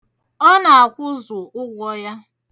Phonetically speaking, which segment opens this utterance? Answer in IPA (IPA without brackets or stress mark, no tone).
ɔ